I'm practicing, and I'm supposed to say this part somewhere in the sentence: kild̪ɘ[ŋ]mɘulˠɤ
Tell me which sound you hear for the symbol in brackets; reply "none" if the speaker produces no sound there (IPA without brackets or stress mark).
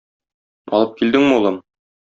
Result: ŋ